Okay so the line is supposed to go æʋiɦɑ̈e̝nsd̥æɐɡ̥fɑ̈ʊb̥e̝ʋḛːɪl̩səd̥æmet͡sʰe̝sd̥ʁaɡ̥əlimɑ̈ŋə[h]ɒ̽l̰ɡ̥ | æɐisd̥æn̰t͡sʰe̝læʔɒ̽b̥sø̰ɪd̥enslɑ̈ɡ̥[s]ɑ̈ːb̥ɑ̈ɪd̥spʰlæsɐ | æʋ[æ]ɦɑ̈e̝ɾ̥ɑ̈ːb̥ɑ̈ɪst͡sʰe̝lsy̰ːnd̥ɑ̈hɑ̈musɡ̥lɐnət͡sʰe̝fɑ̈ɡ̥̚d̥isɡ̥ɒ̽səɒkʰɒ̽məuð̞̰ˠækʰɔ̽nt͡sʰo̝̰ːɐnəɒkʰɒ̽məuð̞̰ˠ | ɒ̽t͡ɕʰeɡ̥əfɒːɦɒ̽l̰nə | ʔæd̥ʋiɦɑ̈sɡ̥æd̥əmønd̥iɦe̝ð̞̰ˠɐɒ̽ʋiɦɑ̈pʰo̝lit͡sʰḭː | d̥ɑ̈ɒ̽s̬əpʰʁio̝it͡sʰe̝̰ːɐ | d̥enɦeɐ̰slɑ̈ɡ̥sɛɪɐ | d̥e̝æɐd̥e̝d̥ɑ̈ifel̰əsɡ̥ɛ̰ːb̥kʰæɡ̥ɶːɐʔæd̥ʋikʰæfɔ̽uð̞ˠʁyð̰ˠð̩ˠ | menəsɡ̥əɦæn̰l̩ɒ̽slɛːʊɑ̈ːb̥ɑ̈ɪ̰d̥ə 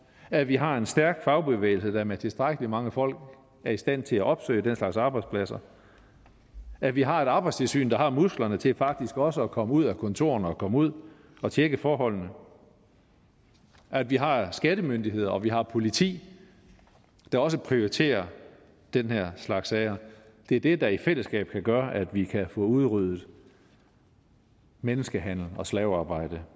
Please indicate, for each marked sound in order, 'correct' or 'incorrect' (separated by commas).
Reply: incorrect, correct, incorrect